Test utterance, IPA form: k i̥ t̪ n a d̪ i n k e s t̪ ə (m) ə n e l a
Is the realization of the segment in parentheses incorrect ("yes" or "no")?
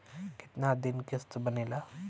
yes